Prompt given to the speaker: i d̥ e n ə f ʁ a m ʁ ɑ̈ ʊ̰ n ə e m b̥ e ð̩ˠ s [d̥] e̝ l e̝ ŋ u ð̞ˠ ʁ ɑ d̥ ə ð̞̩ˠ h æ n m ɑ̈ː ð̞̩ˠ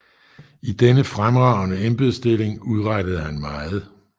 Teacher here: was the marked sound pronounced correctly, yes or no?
yes